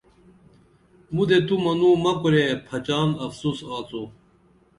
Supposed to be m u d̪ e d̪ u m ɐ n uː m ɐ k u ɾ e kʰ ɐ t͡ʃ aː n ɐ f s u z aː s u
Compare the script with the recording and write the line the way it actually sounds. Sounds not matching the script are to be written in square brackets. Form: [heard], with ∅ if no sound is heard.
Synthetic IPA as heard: m u d̪ e [t̪] u m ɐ n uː m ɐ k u ɾ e [pʰ] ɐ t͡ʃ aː n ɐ f s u [s] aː [t͡s] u

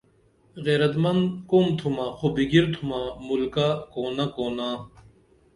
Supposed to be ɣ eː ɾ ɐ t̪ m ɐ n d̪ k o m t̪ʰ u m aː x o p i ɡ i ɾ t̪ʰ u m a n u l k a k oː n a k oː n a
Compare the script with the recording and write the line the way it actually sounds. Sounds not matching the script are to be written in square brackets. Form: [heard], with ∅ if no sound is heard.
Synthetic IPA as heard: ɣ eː ɾ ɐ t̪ m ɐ n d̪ k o m t̪ʰ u m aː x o [b] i ɡ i ɾ t̪ʰ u m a [m] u l k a k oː n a k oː n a

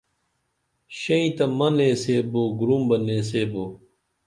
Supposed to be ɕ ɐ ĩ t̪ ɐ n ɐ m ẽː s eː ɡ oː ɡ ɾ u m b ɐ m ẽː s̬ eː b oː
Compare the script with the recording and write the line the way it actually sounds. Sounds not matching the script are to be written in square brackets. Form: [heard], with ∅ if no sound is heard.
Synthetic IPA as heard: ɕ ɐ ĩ t̪ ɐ [m] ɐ [n] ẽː s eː [b] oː ɡ ɾ u m b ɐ [n] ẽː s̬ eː b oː

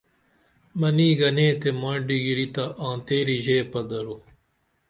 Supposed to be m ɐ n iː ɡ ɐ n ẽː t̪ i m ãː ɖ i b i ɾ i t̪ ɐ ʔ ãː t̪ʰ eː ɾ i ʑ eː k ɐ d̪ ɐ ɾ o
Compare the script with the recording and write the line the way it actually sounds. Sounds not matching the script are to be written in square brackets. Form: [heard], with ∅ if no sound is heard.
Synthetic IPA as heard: m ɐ n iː ɡ ɐ n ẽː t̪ [e] m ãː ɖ i [ɡ] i ɾ i t̪ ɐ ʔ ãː [t̪] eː ɾ i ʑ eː [p] ɐ d̪ ɐ ɾ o

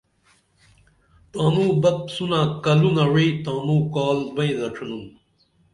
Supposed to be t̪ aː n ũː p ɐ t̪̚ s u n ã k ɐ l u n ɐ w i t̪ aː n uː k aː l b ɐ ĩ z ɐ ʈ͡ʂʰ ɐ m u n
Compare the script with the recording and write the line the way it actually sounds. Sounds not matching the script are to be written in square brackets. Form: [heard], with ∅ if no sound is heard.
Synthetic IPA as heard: t̪ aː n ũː [b] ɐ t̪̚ s u n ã k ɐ l u n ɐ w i t̪ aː n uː k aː l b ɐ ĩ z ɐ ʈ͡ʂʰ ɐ [n] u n

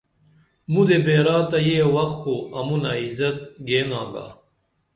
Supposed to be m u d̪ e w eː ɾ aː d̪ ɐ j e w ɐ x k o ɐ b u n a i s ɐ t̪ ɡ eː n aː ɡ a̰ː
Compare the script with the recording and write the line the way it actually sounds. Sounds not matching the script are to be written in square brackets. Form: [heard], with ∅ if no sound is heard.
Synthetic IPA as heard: m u d̪ e [b] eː ɾ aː [t̪] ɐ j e w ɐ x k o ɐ [m] u n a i [z] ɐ t̪ ɡ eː n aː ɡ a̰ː

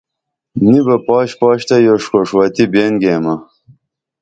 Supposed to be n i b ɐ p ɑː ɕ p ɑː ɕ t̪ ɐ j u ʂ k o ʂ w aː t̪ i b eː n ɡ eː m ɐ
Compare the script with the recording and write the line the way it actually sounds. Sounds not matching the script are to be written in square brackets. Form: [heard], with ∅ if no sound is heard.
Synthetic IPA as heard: n i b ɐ p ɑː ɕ p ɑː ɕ t̪ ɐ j [o] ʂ k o ʂ w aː t̪ i b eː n ɡ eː m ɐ

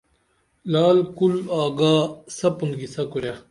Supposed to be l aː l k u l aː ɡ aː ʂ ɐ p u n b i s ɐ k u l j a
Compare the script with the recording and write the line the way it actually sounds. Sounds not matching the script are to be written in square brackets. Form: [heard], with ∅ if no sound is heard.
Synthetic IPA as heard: l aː l k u l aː ɡ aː [s] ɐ p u n [ɡ] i s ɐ k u [ɾ] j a

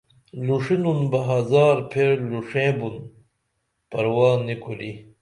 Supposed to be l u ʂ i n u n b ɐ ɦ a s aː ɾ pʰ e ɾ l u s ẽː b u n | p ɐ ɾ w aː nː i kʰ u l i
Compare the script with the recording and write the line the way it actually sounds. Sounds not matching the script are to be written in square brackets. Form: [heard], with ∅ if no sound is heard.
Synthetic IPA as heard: l u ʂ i n u n b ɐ ɦ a [z] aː ɾ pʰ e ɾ l u [ʂ] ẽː b u n | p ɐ ɾ w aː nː i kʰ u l i

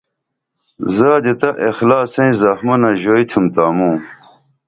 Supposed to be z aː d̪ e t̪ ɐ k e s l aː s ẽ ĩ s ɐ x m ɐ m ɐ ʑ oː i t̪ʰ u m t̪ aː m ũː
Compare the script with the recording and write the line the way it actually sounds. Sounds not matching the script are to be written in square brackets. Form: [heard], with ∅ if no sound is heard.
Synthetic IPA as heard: z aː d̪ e t̪ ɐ [ʔ] e [x] l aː s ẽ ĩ [z] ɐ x m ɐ [n] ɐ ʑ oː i t̪ʰ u m t̪ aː m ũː

